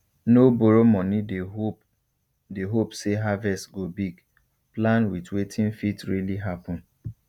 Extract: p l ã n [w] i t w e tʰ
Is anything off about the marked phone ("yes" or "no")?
no